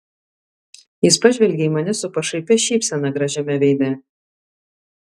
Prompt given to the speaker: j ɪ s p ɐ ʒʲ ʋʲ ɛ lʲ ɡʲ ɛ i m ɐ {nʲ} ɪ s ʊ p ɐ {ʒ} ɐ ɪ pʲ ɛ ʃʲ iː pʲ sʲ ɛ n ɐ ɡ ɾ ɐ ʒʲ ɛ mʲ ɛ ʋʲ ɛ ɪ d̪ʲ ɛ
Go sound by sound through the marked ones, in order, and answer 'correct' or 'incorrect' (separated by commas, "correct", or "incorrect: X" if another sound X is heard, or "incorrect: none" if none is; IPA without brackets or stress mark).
correct, incorrect: ʃ